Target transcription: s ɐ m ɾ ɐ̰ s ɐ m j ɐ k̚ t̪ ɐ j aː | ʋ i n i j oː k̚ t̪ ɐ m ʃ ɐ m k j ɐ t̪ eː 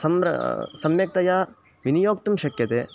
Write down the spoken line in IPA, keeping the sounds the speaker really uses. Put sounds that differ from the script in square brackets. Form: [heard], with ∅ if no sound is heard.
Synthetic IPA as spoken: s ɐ m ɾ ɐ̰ s ɐ m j ɐ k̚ t̪ ɐ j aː | ʋ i n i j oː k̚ t̪ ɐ m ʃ ɐ [∅] k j ɐ t̪ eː